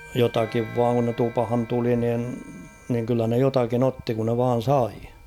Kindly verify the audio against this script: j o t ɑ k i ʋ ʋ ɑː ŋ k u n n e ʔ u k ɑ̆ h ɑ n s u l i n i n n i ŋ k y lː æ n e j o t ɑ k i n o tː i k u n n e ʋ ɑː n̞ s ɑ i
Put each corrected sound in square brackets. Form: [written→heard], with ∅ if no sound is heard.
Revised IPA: j o t ɑ k i ʋ ʋ ɑː ŋ k u n n e [ʔ→t] u [k→p] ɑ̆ h ɑ n [s→t] u l i n i n n i ŋ k y lː æ n e j o t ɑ k i n o tː i k u n n e ʋ ɑː n̞ s ɑ i